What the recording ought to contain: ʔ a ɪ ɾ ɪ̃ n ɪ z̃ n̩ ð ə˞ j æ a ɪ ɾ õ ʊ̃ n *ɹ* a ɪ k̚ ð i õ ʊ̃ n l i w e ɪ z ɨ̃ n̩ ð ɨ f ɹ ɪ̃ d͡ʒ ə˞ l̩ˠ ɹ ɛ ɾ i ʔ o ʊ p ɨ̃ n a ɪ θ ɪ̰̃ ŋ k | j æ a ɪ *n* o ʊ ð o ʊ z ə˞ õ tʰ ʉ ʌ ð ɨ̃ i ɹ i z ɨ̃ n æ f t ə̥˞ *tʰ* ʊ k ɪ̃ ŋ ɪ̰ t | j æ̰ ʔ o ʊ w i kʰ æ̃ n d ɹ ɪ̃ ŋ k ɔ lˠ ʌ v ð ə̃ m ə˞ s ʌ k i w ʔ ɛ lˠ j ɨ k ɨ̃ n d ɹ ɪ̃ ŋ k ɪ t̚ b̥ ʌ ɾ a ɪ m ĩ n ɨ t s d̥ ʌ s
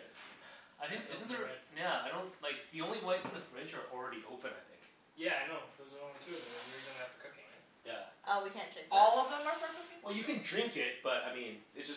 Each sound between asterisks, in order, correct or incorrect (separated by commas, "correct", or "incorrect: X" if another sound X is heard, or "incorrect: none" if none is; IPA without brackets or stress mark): incorrect: l, correct, incorrect: kʰ